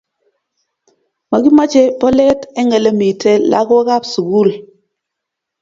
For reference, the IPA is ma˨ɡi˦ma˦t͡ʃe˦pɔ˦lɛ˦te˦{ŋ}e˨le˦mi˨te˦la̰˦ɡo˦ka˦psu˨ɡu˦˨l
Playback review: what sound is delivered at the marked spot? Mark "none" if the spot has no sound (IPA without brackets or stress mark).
ŋ